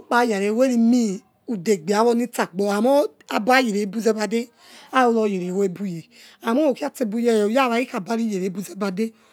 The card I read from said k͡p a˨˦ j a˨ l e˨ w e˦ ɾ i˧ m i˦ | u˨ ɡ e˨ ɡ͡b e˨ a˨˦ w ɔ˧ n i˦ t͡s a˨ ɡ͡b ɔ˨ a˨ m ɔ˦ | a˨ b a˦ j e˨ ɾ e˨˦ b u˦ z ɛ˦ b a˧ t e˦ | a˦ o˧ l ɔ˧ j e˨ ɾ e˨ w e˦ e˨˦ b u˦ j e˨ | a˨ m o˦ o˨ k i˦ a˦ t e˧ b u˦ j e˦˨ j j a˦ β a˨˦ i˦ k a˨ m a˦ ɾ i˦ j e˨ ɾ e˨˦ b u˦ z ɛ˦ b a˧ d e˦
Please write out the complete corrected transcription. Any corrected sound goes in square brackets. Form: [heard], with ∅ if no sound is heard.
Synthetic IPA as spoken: k͡p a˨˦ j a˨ [ɾ] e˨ w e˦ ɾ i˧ m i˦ | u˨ [d] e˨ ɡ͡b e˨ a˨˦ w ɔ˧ n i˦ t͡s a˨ ɡ͡b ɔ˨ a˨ m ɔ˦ | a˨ b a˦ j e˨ ɾ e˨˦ b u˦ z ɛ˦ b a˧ [d] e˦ | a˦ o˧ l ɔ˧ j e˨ ɾ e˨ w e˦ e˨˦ b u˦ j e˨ | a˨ m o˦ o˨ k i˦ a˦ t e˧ b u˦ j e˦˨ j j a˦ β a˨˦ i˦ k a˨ [b] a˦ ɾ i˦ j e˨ ɾ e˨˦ b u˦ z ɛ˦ b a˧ d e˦

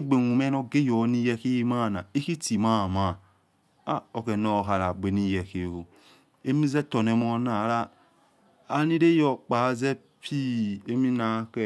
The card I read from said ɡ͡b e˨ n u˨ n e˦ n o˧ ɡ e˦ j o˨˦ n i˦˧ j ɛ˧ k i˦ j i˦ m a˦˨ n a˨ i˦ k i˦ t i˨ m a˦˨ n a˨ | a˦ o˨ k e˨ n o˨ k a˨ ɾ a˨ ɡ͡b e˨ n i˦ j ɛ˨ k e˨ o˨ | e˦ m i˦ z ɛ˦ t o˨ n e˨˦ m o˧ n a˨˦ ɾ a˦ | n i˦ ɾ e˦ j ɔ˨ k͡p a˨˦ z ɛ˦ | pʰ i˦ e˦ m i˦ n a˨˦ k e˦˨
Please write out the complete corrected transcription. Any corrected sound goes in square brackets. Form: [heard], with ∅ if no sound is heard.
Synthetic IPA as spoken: ɡ͡b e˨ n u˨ [m] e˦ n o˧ ɡ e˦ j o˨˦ n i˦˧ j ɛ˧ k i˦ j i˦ m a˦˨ n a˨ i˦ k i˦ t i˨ m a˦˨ [m] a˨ | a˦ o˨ k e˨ n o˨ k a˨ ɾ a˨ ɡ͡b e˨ n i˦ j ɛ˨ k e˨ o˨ | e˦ m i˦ z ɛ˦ t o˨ n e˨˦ m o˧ n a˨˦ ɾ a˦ | n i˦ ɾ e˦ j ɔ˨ k͡p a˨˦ z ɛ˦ | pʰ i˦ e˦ m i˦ n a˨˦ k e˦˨

